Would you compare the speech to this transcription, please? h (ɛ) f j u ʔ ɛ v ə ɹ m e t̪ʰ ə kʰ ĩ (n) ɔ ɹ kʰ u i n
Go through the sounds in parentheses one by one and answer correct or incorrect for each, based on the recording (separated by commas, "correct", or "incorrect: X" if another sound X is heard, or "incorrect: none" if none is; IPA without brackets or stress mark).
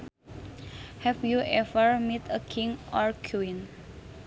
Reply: correct, incorrect: ŋ